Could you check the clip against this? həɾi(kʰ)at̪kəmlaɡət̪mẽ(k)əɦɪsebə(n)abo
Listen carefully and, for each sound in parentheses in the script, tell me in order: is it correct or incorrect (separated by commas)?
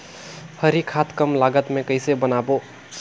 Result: correct, correct, correct